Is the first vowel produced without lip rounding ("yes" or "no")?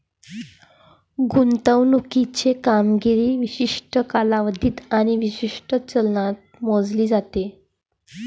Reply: no